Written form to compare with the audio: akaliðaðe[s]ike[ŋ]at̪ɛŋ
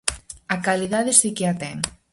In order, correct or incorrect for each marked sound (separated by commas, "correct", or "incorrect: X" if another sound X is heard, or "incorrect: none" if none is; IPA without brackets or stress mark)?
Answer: correct, incorrect: none